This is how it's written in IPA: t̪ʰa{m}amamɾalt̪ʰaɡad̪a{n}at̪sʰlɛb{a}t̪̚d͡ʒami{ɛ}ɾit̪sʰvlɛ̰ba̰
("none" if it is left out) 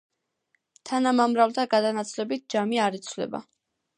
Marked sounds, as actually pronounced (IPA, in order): n, n, i, a

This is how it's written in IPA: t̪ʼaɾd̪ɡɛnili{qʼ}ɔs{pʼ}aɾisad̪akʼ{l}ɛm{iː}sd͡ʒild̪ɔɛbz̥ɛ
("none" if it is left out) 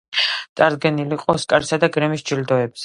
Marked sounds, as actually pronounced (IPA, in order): qʼ, kʼ, ɾ, i

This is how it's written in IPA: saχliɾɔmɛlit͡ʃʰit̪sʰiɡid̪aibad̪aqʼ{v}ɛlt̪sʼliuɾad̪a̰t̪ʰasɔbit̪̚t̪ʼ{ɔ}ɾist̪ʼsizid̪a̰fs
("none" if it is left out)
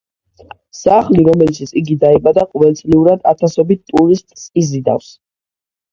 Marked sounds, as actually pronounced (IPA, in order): v, u

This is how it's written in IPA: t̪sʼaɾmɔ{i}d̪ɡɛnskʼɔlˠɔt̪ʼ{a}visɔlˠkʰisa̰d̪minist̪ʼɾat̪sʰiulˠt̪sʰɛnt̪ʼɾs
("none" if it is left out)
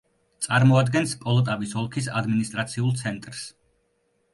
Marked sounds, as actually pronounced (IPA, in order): a, a

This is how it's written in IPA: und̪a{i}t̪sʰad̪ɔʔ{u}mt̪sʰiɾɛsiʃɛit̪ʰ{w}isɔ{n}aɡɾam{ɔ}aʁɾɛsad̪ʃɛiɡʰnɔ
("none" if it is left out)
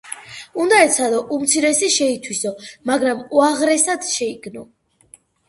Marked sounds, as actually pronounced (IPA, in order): ɛ, u, w, m, u

